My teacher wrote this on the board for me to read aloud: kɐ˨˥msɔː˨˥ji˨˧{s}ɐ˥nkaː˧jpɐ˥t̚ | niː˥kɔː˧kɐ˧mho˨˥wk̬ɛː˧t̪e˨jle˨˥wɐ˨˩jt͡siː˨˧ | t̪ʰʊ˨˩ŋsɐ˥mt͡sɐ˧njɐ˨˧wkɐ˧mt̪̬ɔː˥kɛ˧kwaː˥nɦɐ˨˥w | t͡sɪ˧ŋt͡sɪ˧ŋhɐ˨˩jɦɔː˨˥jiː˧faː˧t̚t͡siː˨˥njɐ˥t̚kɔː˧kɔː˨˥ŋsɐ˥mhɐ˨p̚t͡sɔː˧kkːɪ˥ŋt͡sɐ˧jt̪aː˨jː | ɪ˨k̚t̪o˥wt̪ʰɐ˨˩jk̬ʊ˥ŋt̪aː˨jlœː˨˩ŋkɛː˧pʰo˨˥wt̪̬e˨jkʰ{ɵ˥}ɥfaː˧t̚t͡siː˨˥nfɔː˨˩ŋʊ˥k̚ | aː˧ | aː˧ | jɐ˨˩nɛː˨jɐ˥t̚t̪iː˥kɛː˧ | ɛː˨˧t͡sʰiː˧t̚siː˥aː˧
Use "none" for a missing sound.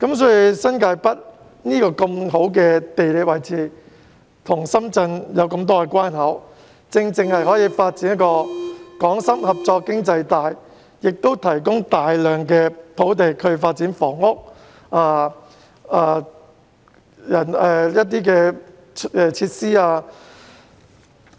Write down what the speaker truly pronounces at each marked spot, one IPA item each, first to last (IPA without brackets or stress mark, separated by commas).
s, ɵ˨˧